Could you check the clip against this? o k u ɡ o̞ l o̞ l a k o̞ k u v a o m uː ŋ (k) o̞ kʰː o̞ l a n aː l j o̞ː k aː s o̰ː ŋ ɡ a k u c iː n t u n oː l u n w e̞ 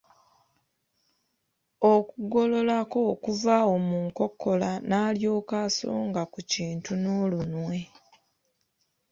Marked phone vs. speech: correct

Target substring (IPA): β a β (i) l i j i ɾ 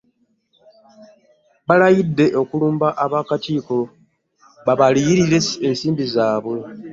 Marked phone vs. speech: incorrect: a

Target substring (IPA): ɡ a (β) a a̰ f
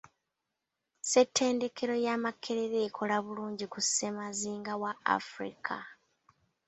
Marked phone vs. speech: incorrect: w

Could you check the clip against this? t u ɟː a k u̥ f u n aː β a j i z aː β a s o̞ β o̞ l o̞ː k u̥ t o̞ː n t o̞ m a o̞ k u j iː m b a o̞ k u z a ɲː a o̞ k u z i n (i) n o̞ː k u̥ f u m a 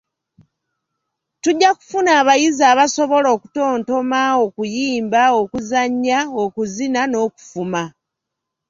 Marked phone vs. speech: incorrect: a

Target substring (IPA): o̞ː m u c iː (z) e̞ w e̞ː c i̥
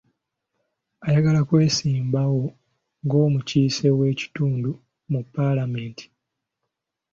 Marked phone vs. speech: incorrect: s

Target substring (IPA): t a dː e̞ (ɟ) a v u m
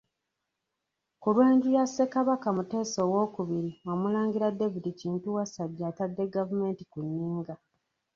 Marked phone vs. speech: incorrect: ɡ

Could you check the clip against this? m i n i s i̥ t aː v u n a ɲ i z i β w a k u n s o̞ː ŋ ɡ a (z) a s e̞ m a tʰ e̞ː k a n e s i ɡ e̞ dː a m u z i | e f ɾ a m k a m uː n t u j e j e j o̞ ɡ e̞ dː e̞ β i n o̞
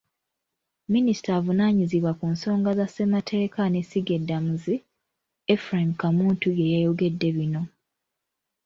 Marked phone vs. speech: correct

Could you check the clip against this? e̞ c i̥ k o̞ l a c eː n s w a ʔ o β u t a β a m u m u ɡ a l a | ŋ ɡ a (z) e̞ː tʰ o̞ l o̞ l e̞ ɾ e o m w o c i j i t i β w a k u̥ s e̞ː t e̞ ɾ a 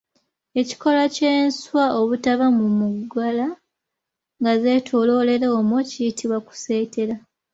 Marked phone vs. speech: correct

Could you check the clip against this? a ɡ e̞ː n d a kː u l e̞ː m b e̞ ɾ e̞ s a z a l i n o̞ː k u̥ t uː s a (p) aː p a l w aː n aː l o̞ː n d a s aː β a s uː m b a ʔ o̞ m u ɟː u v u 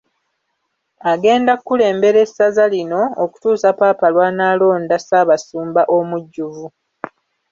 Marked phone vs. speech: correct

